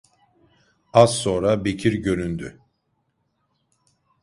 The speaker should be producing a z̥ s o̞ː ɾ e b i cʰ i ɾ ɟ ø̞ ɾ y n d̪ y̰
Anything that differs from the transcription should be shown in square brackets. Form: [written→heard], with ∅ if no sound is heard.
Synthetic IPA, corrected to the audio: a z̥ s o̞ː ɾ [e→a] b [i→e] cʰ i ɾ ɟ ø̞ ɾ y n d̪ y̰